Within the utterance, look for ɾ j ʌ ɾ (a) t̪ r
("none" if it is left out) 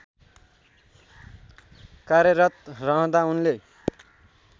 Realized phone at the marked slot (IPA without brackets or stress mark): ʌ